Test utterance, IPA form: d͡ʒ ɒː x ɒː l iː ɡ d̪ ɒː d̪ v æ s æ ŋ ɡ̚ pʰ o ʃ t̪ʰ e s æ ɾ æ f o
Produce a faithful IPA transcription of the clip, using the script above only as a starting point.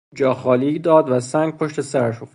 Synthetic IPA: d͡ʒ ɒː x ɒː l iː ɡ d̪ ɒː d̪ v æ s æ ŋ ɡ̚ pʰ o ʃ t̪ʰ e s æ ɾ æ ʃ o

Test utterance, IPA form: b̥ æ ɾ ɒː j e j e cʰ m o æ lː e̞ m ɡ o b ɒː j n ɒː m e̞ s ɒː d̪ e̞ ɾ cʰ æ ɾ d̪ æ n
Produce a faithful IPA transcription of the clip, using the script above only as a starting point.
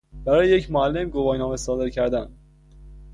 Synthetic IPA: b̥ æ ɾ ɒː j e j e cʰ m o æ lː e̞ m ɡ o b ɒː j n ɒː m e̞ s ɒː d̪ e̞ ɾ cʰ æ ɾ d̪ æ n

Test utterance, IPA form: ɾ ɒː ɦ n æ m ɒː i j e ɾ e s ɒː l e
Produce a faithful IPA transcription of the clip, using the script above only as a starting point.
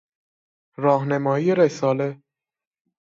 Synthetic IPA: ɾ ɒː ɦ n e m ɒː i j e ɾ e s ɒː l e

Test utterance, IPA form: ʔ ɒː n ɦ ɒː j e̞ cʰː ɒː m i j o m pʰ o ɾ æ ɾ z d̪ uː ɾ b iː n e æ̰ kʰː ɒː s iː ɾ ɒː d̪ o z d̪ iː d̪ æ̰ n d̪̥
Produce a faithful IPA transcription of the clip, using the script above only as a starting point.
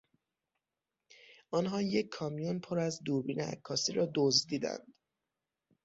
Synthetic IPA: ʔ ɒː n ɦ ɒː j e̞ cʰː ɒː m i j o n pʰ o ɾ æ z d̪ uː ɾ b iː n e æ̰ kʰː ɒː s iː ɾ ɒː d̪ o z d̪ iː d̪ æ̰ n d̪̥

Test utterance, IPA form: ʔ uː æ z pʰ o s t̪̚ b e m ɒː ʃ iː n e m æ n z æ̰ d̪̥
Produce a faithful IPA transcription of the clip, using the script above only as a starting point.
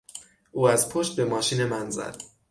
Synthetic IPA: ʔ uː æ z pʰ o ʃ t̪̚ b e m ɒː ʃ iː n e m æ n z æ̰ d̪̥

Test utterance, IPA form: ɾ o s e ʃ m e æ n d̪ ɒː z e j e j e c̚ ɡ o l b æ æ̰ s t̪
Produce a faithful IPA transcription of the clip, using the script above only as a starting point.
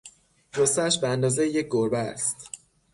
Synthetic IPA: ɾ o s æ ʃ b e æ n d̪ ɒː z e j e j e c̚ ɡ o ɾ b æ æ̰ s t̪

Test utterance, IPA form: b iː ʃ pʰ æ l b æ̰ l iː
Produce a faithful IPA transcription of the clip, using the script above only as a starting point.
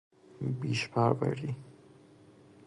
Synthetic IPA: b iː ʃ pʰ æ ɾ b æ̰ ɾ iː

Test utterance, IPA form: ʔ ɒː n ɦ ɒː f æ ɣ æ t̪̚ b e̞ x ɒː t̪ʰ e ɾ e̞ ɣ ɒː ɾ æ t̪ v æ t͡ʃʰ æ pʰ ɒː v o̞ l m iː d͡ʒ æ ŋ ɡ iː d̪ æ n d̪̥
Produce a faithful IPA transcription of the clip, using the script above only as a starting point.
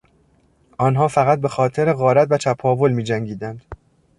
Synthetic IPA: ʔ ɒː n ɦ ɒː f æ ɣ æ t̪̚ b e̞ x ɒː t̪ʰ e ɾ e̞ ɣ ɒː ɾ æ t̪ v æ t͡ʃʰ æ pʰ ɒː v o̞ l m iː d͡ʒ æ ŋ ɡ iː d̪ æ n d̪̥

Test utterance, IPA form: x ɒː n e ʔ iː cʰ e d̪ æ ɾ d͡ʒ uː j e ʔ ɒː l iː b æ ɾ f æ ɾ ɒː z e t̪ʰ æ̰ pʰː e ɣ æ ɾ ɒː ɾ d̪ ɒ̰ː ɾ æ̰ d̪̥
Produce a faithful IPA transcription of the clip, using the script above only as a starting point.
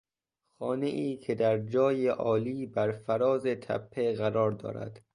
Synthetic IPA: x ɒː n e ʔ iː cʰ e d̪ æ ɾ d͡ʒ ɒː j e ʔ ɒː l iː b æ ɾ f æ ɾ ɒː z e t̪ʰ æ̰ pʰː e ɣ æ ɾ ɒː ɾ d̪ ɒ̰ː ɾ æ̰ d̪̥

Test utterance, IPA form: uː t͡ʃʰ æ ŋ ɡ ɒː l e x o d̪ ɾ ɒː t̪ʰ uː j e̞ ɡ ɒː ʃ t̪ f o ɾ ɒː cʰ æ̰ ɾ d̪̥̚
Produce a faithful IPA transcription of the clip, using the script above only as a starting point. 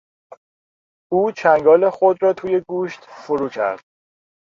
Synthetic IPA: uː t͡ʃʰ æ ŋ ɡ ɒː l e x o d̪ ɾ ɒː t̪ʰ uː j e̞ ɡ uː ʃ t̪ f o ɾ uː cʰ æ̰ ɾ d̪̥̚

